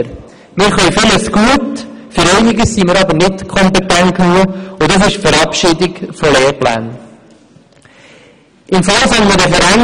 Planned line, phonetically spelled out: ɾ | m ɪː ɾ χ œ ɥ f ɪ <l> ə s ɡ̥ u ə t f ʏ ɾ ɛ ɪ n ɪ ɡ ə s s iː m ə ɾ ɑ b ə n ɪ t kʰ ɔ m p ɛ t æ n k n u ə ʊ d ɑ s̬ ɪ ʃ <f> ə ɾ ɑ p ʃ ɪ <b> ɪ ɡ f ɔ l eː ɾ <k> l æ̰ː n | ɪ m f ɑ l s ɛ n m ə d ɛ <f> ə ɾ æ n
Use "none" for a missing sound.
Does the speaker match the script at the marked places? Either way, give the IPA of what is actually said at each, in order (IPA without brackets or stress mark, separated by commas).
l, f, d, p, f